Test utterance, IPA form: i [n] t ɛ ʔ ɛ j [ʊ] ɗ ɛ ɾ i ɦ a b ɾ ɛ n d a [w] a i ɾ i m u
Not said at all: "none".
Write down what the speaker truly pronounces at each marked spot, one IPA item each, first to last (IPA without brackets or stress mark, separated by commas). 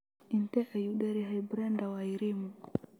n, u, w